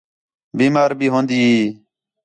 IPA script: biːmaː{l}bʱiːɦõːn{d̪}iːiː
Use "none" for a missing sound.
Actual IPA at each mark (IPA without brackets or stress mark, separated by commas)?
ɾ, d̪